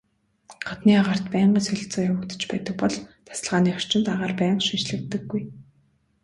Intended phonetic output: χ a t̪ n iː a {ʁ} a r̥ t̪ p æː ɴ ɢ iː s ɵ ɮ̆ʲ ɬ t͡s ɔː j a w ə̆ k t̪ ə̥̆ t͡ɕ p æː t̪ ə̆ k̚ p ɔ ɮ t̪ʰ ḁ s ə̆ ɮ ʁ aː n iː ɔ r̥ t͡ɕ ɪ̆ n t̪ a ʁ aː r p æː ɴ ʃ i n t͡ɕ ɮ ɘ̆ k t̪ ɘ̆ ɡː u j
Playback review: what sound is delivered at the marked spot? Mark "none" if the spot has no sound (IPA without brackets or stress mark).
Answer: ʁ